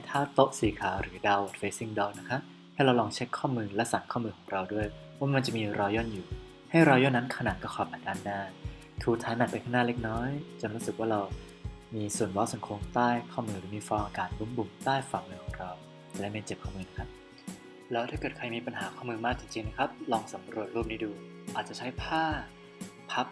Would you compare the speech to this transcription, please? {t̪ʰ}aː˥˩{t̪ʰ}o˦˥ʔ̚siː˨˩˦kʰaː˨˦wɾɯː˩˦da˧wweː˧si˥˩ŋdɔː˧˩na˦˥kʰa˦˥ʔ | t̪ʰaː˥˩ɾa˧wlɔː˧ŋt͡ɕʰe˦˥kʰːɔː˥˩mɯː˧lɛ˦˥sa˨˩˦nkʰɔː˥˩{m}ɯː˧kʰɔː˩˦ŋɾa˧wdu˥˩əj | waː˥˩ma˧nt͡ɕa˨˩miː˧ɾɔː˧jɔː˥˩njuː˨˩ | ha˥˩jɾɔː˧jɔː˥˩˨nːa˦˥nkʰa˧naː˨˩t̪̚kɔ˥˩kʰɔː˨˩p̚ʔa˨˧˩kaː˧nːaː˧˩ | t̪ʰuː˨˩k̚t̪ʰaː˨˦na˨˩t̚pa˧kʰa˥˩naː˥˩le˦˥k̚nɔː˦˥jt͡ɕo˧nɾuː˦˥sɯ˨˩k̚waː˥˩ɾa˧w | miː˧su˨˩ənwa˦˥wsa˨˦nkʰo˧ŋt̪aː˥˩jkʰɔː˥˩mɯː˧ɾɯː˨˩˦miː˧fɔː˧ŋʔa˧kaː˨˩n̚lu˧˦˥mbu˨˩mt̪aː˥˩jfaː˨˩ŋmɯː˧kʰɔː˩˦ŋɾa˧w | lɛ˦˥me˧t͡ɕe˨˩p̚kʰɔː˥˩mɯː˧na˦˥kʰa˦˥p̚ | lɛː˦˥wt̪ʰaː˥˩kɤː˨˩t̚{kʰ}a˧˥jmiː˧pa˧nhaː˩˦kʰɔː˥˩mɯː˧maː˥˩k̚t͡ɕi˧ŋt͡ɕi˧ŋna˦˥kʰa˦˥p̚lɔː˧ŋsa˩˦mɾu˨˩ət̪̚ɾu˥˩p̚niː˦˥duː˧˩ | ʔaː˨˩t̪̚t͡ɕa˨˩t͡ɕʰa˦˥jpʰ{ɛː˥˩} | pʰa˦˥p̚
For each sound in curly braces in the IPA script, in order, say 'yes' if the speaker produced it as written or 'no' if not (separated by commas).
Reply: yes, no, yes, yes, no